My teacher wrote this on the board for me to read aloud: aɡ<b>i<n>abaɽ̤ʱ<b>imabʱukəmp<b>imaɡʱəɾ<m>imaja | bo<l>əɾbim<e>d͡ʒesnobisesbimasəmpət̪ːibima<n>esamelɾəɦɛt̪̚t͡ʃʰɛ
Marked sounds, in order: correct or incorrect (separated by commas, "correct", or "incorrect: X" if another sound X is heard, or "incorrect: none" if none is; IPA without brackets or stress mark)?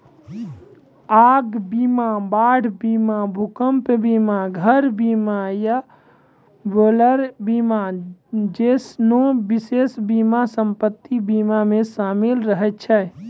correct, incorrect: m, correct, correct, incorrect: b, correct, incorrect: a, incorrect: m